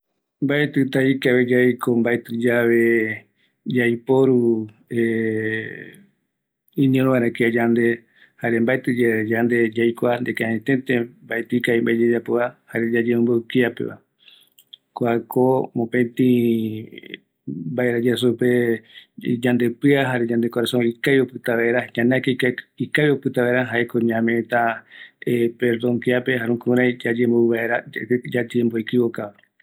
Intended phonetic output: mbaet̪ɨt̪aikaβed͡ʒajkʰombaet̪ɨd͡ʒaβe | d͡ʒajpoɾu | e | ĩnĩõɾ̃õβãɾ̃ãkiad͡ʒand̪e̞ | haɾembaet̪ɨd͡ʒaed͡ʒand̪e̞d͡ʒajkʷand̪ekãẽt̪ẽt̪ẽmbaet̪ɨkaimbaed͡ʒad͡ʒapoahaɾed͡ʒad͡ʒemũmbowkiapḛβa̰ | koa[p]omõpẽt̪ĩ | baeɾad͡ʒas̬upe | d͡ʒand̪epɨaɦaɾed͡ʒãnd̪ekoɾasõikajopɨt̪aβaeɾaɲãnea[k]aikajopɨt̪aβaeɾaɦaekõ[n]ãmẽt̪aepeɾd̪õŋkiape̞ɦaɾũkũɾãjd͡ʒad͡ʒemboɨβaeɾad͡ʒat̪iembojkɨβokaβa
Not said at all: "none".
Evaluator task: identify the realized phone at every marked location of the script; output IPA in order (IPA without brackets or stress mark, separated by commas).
k, k, ɲ